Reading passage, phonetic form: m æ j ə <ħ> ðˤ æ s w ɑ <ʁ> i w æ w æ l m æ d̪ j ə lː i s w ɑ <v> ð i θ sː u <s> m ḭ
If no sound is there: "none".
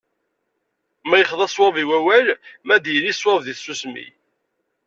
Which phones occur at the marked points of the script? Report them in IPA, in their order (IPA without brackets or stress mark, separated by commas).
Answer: χ, v, v, s